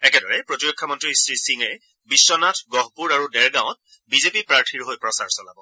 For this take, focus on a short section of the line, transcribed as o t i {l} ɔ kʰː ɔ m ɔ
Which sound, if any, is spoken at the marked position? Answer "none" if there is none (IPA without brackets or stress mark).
ɹ